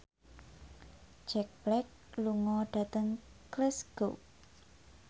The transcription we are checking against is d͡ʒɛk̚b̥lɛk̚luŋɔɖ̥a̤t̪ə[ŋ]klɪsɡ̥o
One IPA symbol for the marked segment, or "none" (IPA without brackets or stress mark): ŋ